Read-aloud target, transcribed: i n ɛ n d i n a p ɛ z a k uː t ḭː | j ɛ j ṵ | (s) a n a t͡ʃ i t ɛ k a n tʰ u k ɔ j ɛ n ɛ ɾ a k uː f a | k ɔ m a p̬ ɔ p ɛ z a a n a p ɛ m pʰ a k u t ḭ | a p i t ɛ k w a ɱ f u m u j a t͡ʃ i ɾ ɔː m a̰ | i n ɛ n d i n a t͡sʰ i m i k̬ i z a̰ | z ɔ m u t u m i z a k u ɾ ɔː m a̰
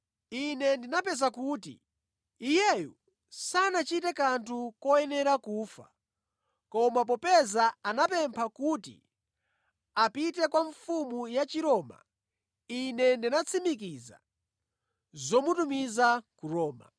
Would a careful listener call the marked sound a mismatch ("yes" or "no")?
no